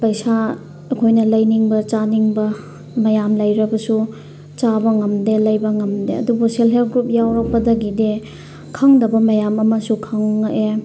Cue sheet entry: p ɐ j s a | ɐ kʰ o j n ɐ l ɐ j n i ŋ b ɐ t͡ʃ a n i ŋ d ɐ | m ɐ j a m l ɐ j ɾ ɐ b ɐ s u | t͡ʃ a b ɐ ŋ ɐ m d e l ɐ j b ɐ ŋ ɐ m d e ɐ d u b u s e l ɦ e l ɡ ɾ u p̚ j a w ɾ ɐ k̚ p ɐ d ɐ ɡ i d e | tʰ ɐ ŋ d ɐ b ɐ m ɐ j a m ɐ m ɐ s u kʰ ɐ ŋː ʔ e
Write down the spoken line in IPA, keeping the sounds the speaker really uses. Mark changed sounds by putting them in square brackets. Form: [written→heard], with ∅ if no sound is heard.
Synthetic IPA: p ɐ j s a | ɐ kʰ o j n ɐ l ɐ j n i ŋ b ɐ t͡ʃ a n i ŋ [d→b] ɐ | m ɐ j a m l ɐ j ɾ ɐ b ɐ s u | t͡ʃ a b ɐ ŋ ɐ m d e l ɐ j b ɐ ŋ ɐ m d e ɐ d u b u s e l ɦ e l ɡ ɾ u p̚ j a w ɾ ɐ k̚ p ɐ d ɐ ɡ i d e | [tʰ→kʰ] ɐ ŋ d ɐ b ɐ m ɐ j a m ɐ m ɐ s u kʰ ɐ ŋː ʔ e